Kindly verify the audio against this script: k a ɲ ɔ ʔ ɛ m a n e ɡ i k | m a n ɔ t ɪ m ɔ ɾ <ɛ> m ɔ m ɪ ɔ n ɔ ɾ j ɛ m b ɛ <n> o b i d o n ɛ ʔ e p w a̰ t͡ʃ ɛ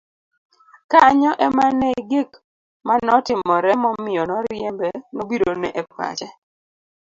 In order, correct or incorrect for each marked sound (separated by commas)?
correct, correct